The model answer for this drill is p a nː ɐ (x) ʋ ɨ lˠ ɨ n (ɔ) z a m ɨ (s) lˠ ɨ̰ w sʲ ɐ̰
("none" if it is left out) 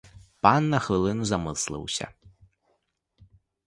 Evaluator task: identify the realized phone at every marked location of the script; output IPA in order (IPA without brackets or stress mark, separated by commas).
x, u, s